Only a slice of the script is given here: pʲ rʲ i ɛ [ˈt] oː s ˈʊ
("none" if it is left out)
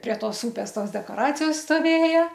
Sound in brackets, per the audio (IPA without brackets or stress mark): t